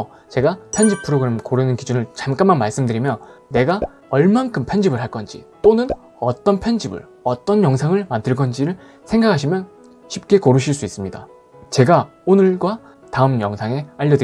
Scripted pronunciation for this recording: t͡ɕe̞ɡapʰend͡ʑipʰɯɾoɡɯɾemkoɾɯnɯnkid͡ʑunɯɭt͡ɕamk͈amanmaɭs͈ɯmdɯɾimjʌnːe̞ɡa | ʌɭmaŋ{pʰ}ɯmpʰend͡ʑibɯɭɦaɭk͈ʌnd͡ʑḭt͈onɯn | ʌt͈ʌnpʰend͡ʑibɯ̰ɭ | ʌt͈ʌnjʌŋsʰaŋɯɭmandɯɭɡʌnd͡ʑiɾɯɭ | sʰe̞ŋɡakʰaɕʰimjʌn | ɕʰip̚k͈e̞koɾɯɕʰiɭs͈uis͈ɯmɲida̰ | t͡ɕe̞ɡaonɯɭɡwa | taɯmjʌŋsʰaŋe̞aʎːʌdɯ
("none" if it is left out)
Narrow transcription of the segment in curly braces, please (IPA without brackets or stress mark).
kʰ